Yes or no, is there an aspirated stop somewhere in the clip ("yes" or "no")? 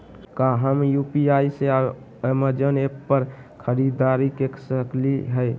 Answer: yes